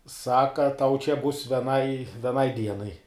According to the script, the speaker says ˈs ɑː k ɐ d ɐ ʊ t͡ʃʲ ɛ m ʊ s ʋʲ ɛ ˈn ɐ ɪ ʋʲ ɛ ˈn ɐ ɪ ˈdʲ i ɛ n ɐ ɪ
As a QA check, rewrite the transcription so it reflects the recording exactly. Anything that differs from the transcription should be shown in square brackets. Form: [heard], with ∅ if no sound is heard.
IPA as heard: ˈs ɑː k ɐ [t] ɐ ʊ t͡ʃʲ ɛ [b] ʊ s ʋʲ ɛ ˈn ɐ ɪ ʋʲ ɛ ˈn ɐ ɪ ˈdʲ i ɛ n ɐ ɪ